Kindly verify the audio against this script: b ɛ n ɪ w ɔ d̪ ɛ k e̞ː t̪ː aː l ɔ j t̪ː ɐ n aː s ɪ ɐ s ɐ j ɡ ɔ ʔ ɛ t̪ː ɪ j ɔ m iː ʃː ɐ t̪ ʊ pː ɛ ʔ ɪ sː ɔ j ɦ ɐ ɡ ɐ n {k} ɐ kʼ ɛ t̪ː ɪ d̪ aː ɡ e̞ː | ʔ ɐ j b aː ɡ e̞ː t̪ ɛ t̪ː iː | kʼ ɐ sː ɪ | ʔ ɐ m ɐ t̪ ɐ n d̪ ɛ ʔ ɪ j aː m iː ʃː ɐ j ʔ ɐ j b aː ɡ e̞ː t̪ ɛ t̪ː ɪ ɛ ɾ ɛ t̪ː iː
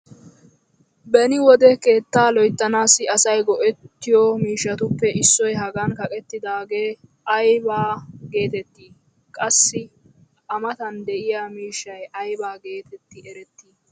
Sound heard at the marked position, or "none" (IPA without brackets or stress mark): k